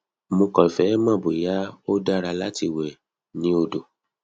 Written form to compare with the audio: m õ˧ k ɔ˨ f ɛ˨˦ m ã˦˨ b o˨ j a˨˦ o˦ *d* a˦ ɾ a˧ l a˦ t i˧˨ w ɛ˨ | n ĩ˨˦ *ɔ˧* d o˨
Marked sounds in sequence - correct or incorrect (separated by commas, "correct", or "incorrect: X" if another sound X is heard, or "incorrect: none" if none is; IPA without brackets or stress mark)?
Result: correct, incorrect: o˧